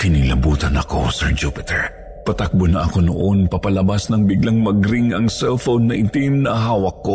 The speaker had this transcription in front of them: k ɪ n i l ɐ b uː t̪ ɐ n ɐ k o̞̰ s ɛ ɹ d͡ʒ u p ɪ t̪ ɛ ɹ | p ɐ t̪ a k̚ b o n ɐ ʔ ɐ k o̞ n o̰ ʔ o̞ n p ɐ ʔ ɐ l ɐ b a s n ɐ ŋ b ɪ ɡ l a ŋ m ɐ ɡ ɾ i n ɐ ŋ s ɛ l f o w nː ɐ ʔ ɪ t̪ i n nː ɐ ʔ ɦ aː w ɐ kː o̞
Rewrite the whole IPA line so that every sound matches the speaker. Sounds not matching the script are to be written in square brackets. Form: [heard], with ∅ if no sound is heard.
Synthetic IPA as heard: k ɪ n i l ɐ b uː t̪ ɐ n ɐ k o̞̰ s ɛ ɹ d͡ʒ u p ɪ t̪ ɛ ɹ | p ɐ t̪ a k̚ b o n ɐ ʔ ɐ k o̞ n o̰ ʔ o̞ n p ɐ [p] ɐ l ɐ b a s n ɐ ŋ b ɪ ɡ l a ŋ m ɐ ɡ ɾ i [ŋ] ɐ ŋ s ɛ l f o w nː ɐ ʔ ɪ t̪ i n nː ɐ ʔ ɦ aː w ɐ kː o̞